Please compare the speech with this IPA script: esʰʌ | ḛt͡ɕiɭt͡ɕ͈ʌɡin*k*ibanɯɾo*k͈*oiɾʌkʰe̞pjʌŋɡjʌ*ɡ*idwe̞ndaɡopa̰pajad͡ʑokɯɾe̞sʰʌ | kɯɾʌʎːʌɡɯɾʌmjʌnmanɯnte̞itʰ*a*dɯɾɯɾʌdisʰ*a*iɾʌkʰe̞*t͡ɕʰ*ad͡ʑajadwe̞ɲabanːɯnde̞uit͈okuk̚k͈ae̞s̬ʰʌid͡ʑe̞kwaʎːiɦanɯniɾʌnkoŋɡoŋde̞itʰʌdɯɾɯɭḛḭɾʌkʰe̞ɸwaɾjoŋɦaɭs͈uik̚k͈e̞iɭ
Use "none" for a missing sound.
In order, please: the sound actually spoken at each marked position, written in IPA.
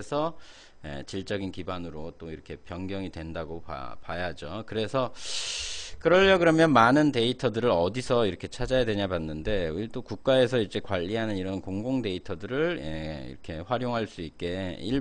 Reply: k, t͈, ŋ, ʌ, ʌ, t͡ɕʰ

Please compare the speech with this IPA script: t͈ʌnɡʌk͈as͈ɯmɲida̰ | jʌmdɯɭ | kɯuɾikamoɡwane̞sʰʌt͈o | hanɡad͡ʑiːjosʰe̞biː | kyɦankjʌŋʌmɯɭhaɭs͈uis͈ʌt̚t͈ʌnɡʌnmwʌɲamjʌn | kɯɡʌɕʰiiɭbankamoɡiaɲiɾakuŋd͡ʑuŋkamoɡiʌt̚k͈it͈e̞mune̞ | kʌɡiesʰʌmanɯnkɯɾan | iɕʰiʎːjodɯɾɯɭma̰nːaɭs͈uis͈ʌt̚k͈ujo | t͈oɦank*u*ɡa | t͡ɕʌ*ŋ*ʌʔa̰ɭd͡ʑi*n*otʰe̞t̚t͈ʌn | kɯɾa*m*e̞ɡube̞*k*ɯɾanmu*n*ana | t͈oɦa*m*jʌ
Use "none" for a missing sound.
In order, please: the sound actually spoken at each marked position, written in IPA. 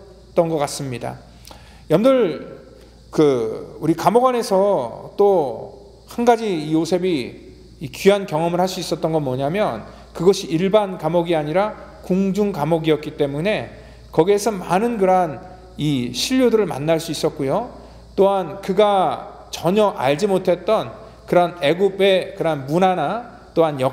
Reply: ɯ, ɲ, m, n, k, n, n

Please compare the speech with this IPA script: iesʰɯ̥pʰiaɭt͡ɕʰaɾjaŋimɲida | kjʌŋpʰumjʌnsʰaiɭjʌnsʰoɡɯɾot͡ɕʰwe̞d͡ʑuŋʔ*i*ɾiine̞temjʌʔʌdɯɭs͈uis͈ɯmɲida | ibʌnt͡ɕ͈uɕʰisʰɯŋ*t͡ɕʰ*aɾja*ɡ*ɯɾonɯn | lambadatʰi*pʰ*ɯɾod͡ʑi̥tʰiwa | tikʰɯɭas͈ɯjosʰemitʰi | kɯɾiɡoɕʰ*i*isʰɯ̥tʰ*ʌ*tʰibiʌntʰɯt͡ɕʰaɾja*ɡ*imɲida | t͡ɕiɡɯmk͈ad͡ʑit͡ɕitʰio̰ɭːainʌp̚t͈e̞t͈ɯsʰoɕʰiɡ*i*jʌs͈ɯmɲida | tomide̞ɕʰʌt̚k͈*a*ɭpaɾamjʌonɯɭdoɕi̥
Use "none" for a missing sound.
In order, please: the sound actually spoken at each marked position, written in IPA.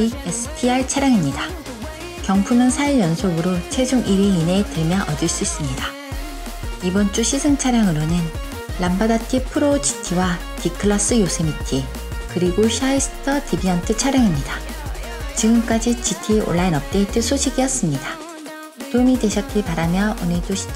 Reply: i, t͡ɕʰ, ŋ, pʰ, a, ʌ, ŋ, i, i

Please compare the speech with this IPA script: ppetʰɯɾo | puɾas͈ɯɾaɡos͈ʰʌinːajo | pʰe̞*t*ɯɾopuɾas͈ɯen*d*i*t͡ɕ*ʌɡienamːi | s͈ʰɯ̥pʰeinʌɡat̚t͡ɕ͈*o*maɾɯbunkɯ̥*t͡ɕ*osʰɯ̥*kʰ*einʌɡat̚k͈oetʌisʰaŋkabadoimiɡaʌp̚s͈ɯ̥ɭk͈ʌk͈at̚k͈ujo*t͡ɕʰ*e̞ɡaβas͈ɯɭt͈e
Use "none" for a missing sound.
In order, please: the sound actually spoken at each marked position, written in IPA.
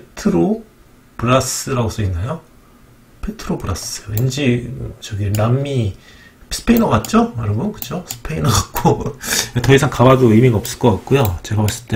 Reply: tʰ, d͡ʑ, t͡ɕ, o, t͡ɕʰ, pʰ, t͡ɕ

